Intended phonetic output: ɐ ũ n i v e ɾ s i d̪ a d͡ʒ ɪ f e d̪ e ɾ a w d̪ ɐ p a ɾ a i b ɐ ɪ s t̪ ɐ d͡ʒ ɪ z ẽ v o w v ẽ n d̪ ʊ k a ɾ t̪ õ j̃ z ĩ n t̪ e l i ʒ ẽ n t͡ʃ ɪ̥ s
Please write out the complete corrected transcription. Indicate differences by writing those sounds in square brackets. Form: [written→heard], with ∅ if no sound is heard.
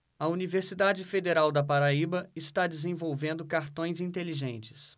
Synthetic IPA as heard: ɐ [ũ→u] n i v e ɾ s i d̪ a d͡ʒ ɪ f e d̪ e ɾ a w d̪ ɐ p a ɾ a i b ɐ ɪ s t̪ [ɐ→a] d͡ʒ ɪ z ẽ v o w v ẽ n d̪ ʊ k a ɾ t̪ õ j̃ z ĩ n t̪ e l i ʒ ẽ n t͡ʃ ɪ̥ s